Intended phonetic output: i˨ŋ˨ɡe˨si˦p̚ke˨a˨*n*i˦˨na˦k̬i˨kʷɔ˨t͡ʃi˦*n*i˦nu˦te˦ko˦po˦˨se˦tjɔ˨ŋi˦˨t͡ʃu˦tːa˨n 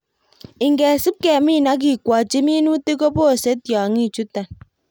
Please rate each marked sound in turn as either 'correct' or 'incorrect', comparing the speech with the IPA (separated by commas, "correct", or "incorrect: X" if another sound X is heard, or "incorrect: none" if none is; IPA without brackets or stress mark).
incorrect: m, incorrect: m